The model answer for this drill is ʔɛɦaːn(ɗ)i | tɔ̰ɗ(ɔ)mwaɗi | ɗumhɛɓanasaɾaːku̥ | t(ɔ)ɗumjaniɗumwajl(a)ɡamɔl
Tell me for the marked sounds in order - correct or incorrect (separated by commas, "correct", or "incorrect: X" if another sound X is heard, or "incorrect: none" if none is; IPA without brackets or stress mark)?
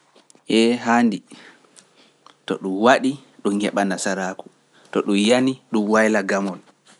incorrect: d, incorrect: u, correct, correct